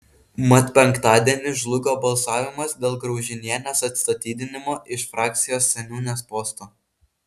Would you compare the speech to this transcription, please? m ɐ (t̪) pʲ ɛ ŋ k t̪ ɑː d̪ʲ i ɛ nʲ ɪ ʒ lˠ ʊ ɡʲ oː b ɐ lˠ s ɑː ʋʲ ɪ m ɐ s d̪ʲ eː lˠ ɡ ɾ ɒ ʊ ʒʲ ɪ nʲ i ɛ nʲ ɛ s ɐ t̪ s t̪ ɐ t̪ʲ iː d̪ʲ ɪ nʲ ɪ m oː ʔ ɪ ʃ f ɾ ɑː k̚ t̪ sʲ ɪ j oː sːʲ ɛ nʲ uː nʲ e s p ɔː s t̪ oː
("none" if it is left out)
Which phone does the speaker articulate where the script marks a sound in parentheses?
t̪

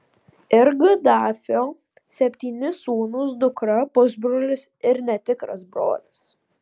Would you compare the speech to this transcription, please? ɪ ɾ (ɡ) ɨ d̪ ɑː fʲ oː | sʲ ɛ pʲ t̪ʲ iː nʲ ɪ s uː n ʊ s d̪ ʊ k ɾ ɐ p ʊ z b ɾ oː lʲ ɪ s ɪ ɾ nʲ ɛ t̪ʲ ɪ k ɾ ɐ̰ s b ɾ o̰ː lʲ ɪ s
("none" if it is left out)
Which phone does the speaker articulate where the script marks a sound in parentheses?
ɡ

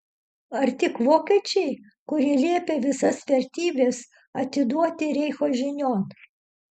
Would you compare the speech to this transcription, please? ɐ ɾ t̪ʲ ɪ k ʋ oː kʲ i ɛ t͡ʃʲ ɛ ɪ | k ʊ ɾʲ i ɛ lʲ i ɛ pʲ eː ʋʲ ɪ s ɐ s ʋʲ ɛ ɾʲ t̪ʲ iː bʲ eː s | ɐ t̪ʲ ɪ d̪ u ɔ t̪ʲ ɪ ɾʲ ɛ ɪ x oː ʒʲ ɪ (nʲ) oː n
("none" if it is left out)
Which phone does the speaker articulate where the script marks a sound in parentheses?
nʲ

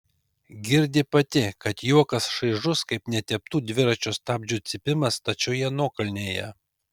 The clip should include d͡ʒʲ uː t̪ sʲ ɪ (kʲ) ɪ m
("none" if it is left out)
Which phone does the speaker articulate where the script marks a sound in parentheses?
pʲ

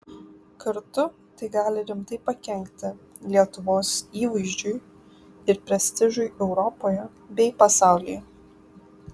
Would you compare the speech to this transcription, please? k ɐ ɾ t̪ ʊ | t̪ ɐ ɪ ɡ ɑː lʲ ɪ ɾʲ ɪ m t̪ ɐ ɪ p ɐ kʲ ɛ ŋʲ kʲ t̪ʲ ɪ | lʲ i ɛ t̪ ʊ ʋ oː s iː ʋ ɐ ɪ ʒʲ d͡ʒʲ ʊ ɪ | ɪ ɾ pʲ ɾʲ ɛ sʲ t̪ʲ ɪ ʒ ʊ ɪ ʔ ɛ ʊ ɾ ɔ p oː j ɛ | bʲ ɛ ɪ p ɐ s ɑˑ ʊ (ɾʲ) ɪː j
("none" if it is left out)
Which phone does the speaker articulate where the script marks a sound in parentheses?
lʲ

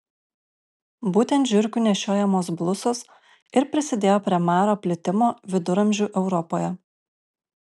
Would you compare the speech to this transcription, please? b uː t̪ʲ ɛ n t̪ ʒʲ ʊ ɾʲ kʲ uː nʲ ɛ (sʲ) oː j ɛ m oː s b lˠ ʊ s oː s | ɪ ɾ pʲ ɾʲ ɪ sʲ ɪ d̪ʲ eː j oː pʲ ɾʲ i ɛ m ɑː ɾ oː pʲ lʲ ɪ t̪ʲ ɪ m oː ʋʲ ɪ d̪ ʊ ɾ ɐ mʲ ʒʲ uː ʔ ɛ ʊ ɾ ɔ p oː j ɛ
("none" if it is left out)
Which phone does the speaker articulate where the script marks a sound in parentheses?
ʃʲ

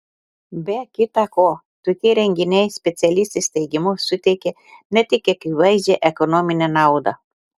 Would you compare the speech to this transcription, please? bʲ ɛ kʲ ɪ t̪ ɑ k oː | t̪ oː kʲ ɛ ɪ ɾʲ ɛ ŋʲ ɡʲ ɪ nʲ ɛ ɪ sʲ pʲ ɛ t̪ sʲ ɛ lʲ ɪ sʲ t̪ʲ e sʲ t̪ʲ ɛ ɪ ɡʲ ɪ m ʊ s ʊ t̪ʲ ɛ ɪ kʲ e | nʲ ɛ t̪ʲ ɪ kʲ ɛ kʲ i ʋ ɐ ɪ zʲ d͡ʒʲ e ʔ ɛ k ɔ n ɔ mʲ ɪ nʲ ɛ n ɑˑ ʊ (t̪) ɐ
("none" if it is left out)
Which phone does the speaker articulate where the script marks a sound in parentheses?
d̪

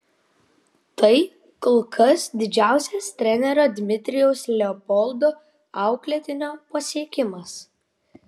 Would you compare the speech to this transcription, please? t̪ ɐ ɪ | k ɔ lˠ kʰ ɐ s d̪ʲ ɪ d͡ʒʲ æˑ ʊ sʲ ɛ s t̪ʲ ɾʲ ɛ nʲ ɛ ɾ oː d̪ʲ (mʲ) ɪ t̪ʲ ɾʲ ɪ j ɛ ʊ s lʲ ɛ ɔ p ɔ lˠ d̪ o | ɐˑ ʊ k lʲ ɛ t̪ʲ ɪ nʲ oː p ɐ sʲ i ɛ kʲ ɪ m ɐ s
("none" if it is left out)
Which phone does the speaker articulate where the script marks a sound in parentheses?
mʲ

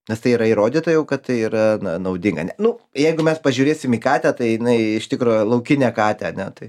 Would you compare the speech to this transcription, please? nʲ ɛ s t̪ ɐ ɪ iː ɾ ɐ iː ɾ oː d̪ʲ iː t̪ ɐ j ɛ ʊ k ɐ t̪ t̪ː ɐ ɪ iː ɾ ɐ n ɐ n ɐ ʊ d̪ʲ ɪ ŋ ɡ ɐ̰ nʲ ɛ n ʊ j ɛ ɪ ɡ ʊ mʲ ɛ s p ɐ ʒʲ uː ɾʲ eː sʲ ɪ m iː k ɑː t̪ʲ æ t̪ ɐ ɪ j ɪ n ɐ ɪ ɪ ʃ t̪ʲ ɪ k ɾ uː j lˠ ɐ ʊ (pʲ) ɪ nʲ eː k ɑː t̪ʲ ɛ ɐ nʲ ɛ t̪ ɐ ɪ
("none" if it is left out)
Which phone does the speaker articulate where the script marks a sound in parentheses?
kʲ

